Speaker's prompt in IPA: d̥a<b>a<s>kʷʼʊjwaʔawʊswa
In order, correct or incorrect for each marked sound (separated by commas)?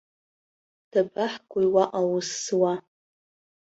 correct, incorrect